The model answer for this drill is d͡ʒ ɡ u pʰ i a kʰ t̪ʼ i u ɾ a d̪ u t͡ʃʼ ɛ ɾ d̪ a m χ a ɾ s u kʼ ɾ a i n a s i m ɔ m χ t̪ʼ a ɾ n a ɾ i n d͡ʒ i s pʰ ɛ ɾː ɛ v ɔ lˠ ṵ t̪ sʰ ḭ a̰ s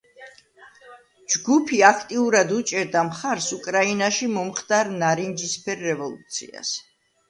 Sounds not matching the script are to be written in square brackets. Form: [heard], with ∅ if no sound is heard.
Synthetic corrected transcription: d͡ʒ ɡ u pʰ i a kʰ t̪ʼ i u ɾ a d̪ u t͡ʃʼ ɛ ɾ d̪ a m χ a ɾ s u kʼ ɾ a i n a [ʃ] i m ɔ m χ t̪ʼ a ɾ n a ɾ i n d͡ʒ i s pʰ ɛ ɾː ɛ v ɔ lˠ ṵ t̪ sʰ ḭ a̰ s